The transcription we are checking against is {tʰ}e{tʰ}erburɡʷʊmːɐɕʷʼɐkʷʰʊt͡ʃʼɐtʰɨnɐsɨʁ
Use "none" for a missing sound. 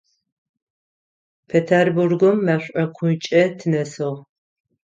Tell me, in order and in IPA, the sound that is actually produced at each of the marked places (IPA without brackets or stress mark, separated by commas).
pʰ, tʰ